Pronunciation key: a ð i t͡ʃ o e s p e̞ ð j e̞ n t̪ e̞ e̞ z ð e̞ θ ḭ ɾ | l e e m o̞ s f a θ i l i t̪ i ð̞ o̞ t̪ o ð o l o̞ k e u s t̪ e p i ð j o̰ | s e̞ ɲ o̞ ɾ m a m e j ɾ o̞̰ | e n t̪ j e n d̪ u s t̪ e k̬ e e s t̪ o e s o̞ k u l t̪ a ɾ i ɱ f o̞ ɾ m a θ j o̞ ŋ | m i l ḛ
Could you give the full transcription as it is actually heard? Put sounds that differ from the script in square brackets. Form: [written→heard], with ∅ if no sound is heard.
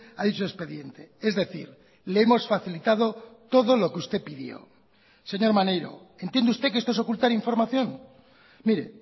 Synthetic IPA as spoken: a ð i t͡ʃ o e s p e̞ ð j e̞ n t̪ e̞ e̞ z ð e̞ θ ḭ ɾ | l e e m o̞ s f a θ i l i t̪ [i→a] ð̞ o̞ t̪ o ð o l o̞ k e u s t̪ e p i ð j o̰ | s e̞ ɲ o̞ ɾ m a [m→n] e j ɾ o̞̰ | e n t̪ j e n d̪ u s t̪ e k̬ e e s t̪ o e s o̞ k u l t̪ a ɾ i ɱ f o̞ ɾ m a θ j o̞ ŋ | m i [l→ɾ] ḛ